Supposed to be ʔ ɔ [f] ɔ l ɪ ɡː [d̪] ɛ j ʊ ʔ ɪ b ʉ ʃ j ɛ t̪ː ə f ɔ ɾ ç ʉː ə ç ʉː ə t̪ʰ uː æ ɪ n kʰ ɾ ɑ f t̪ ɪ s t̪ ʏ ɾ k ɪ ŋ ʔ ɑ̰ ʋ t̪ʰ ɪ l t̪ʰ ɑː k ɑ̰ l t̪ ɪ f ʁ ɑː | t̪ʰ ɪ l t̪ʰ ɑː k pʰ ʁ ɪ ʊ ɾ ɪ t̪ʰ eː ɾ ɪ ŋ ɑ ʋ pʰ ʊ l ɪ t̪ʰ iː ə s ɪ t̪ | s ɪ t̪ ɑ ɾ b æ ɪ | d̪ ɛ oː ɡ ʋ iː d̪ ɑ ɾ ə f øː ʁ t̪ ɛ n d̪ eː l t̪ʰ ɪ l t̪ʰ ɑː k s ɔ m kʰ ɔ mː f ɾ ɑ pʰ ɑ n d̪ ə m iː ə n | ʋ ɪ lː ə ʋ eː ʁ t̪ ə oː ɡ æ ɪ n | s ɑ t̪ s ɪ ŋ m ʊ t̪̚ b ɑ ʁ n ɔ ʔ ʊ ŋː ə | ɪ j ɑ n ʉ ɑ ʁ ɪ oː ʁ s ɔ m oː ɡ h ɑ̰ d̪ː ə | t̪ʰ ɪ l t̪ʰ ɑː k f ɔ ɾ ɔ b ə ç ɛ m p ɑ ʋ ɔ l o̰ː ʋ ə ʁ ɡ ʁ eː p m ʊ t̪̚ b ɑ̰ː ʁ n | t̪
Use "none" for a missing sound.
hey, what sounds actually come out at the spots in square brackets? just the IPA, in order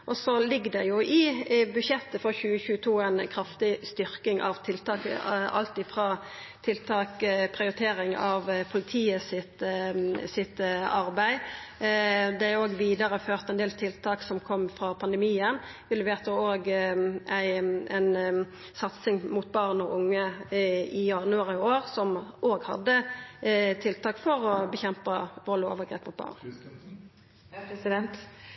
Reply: s, d̪

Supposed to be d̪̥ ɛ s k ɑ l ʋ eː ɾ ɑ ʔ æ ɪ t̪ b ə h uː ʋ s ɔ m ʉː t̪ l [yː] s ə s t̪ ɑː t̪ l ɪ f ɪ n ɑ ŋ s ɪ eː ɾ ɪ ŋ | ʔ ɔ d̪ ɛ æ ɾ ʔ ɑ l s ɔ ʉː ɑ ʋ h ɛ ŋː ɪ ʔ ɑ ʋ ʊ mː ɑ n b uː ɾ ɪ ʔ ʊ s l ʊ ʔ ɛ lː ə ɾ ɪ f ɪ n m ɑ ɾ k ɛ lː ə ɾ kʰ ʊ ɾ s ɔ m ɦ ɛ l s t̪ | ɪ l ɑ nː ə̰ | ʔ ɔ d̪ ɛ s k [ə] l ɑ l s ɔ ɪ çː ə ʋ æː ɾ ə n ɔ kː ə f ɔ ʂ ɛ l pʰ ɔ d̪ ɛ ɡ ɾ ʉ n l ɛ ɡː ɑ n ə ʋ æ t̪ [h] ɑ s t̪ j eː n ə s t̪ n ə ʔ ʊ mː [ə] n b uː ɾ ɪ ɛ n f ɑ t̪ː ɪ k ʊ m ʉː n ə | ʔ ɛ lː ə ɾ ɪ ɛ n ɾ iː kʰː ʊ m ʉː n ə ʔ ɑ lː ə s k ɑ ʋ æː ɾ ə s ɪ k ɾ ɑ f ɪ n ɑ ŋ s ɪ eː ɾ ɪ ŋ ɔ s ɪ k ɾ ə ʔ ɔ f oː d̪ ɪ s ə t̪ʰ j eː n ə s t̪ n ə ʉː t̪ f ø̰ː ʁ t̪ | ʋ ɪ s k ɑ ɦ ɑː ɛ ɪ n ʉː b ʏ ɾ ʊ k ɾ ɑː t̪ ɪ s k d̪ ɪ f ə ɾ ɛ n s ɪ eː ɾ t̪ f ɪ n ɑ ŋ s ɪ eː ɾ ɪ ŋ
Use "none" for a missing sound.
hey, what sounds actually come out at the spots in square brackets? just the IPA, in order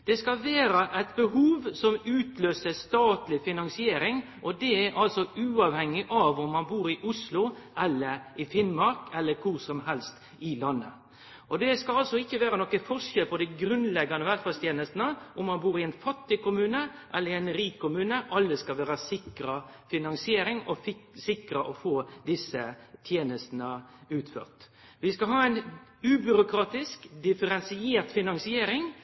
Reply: øː, ɑ, f, ɑ

